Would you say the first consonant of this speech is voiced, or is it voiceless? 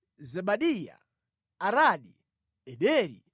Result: voiced